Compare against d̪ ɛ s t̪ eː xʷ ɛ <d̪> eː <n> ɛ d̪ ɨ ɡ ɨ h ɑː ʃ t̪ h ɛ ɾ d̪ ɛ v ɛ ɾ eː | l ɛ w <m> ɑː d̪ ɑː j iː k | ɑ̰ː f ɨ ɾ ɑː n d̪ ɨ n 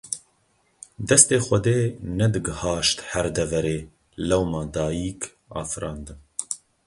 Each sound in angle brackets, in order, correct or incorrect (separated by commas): correct, correct, correct